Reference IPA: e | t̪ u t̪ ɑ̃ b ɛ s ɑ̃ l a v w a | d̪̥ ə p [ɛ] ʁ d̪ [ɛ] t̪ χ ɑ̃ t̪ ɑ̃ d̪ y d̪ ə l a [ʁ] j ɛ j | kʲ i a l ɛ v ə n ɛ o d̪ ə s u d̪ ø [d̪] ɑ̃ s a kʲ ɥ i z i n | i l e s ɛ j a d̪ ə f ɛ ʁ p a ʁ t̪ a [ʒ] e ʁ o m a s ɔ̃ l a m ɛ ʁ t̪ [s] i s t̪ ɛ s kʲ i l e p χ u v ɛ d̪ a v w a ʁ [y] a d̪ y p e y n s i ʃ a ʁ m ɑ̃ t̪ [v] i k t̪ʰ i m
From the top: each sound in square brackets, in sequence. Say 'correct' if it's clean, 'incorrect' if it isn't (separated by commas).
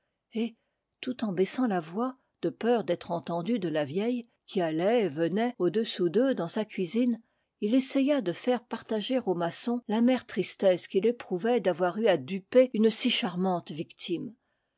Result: incorrect, correct, incorrect, correct, correct, incorrect, correct, correct